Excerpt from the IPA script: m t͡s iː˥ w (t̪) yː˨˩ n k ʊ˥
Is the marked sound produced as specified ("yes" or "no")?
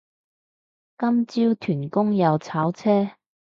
no